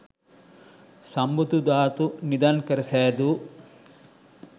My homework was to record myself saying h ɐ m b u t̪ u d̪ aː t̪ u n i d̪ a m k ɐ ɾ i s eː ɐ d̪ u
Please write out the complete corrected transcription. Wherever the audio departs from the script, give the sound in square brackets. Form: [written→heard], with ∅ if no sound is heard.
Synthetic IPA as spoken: [h→s] ɐ m b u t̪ u d̪ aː t̪ u n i d̪ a [m→n] k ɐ ɾ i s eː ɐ d̪ u